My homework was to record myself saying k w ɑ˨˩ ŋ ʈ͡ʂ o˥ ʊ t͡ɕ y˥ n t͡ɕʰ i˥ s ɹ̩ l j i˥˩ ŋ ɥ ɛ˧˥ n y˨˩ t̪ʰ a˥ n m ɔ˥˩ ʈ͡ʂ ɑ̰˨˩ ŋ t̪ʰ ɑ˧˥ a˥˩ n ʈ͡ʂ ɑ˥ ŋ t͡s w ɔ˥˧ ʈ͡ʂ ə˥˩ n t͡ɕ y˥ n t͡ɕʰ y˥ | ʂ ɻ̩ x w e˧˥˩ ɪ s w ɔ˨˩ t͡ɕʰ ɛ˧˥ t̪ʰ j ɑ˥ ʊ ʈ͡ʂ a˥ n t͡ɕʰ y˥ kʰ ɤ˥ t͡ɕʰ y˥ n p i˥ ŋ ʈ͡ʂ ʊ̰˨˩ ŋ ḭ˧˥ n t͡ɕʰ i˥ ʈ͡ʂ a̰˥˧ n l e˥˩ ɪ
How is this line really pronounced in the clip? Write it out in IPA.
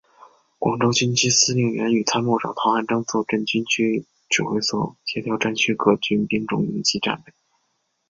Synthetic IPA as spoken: k w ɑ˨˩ ŋ ʈ͡ʂ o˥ ʊ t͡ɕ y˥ n t͡ɕʰ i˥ s ɹ̩ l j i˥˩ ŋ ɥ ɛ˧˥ n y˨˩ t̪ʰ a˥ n m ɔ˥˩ ʈ͡ʂ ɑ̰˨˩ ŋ t̪ʰ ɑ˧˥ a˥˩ n ʈ͡ʂ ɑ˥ ŋ t͡s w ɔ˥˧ ʈ͡ʂ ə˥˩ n t͡ɕ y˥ n t͡ɕʰ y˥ | ʈ͡ʂ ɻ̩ x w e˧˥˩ ɪ s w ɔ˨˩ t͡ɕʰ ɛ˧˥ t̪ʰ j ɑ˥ ʊ ʈ͡ʂ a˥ n t͡ɕʰ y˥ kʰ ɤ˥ t͡ɕ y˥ n p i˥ ŋ ʈ͡ʂ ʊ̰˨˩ ŋ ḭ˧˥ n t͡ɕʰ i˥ ʈ͡ʂ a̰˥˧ n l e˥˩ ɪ